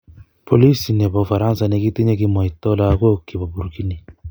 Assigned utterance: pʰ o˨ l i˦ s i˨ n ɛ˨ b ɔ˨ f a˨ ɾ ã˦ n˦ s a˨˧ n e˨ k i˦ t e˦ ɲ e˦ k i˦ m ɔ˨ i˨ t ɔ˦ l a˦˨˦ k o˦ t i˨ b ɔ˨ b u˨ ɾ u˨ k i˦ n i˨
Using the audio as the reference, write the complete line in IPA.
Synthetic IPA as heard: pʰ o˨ l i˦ s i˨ n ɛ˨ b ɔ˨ f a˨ ɾ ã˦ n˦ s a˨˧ n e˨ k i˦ t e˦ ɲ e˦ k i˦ m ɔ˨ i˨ t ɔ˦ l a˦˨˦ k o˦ k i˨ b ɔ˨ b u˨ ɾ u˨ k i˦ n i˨